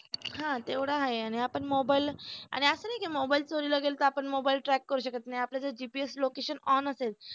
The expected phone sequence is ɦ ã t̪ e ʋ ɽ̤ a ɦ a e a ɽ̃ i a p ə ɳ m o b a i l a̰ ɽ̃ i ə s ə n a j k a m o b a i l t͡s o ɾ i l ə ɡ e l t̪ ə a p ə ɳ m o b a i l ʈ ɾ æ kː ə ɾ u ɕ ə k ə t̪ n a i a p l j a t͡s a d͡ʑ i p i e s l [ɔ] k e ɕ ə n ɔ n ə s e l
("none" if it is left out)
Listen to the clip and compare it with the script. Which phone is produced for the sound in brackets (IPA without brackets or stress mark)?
o